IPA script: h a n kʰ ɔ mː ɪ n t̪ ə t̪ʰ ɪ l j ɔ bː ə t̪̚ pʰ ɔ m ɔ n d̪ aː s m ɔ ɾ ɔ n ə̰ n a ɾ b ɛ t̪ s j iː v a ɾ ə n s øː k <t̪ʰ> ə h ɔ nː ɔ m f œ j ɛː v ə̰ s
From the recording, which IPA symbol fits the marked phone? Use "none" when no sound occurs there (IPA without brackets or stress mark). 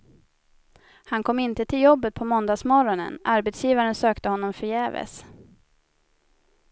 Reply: t̪